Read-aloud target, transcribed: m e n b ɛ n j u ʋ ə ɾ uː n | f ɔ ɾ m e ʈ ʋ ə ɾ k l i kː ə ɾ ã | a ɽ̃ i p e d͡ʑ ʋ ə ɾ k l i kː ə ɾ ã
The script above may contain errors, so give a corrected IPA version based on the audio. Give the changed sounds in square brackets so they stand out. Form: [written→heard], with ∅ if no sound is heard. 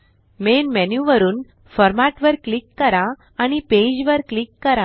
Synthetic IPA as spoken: m e n [b→m] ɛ n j u ʋ ə ɾ uː n | f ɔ ɾ m [e→a] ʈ ʋ ə ɾ k l i kː ə ɾ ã | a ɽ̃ i p e d͡ʑ ʋ ə ɾ k l i kː ə ɾ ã